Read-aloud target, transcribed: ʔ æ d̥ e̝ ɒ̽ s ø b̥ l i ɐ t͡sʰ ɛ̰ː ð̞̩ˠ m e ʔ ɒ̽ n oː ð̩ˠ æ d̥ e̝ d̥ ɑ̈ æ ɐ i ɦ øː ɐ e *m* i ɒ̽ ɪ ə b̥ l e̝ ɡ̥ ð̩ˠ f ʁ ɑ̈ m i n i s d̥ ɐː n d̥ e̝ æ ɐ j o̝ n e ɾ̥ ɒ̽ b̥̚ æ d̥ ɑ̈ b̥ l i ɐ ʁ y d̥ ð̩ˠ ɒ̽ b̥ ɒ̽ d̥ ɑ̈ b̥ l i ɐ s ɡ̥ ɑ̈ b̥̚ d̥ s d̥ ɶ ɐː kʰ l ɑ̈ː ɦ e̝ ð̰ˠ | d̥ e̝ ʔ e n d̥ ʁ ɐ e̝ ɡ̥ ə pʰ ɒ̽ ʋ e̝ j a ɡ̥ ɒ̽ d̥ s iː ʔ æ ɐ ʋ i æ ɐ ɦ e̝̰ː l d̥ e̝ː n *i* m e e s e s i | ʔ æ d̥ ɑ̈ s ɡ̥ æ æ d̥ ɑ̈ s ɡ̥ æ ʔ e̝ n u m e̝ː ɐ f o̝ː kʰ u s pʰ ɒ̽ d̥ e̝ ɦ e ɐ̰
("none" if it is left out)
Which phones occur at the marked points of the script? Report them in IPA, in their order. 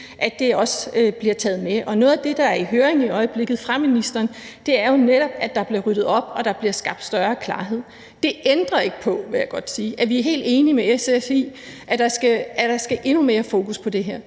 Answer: ŋ, i

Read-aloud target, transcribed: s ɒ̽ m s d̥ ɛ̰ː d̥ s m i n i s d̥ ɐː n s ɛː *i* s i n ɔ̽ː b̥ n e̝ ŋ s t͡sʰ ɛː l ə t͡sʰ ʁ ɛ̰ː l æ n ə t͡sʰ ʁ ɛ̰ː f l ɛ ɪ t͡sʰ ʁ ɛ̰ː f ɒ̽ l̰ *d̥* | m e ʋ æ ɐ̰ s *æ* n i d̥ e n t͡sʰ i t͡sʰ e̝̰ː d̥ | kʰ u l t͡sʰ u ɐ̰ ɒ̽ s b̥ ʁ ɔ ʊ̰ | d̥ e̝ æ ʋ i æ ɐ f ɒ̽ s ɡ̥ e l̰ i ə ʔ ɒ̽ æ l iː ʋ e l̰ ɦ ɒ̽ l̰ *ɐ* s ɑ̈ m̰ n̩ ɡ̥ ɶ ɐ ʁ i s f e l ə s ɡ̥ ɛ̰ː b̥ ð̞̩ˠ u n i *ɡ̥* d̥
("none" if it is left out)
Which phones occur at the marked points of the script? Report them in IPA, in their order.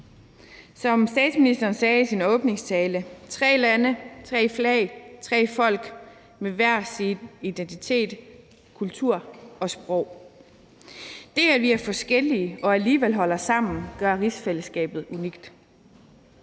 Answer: i, ɡ̥, i, ɐ, ɡ̥

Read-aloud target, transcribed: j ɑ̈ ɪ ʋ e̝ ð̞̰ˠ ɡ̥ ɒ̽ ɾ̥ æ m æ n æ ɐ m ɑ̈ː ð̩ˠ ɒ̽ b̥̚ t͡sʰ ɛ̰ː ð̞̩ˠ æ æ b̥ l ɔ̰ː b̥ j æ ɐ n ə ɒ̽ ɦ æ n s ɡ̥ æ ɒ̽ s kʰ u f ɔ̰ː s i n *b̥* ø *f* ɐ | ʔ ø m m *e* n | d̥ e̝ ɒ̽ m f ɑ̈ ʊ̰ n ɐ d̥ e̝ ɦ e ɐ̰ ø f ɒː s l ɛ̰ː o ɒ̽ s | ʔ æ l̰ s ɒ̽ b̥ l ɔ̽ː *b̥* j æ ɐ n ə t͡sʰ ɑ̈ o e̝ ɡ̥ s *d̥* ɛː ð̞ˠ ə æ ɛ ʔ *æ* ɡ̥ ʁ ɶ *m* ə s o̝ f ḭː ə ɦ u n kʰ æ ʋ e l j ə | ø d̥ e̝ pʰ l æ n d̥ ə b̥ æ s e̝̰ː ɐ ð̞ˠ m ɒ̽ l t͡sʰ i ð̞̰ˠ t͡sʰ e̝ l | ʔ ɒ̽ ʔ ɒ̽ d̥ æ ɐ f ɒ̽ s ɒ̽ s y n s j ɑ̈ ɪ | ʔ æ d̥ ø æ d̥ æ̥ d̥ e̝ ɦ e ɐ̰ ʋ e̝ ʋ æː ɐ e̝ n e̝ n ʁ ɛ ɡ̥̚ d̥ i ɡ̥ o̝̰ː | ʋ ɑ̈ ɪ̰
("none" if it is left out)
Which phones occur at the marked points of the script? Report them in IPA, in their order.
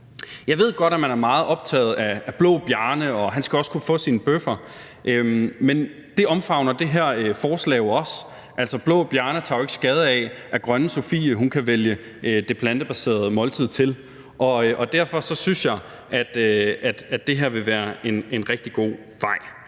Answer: b̥, f, e, b̥, ɡ̥, æ, n

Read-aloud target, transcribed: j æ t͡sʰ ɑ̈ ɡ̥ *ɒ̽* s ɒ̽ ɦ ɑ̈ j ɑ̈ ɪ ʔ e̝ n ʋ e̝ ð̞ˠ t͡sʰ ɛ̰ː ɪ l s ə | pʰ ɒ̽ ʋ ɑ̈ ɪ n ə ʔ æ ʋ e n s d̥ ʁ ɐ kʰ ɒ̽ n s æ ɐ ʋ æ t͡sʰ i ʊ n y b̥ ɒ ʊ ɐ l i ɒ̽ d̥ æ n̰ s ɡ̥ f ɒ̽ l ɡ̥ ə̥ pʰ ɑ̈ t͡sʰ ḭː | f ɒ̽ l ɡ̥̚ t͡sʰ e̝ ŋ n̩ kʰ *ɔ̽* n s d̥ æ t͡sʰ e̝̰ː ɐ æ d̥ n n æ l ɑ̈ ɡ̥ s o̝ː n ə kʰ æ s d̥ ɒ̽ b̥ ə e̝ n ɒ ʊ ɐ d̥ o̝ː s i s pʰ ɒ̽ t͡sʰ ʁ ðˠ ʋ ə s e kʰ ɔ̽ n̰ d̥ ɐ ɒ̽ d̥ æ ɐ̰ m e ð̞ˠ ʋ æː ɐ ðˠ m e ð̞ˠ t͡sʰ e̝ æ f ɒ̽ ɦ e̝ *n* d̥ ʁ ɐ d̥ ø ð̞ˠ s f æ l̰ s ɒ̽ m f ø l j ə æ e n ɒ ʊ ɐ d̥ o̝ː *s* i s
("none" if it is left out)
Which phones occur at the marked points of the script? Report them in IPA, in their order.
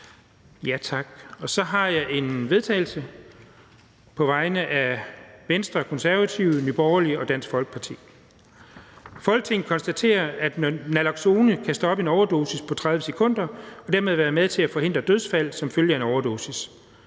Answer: ɒ̽, ɒ̽, n, s

